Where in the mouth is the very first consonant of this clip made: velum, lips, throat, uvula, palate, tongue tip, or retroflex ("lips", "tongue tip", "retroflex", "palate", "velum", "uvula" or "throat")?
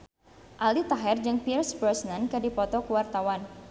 throat